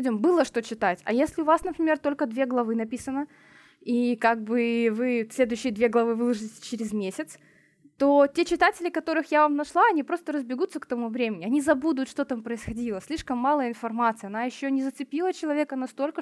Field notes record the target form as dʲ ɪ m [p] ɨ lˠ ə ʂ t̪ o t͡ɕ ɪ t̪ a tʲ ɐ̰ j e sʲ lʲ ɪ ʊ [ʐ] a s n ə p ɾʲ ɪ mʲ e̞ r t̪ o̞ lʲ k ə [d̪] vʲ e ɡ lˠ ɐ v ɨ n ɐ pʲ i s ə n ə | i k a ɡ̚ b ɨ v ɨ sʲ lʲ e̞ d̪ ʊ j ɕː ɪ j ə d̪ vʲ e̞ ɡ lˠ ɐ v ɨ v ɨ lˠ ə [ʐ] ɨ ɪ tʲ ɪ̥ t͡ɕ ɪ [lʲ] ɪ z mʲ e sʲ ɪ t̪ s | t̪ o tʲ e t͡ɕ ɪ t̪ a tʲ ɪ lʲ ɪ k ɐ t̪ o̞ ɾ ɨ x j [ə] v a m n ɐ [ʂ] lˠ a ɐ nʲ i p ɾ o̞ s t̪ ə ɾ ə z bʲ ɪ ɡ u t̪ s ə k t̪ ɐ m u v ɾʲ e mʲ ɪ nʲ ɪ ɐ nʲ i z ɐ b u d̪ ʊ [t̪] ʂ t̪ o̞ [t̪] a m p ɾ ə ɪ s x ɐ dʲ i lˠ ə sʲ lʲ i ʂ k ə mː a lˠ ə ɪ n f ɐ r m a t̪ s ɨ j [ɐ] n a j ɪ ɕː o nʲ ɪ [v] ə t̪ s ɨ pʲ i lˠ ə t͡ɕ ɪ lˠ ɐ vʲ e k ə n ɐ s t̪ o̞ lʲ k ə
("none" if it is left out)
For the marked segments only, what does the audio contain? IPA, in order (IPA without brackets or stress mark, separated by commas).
b, v, d̪, ʐ, ɾʲ, a, ʂ, t̪, t̪, ɐ, z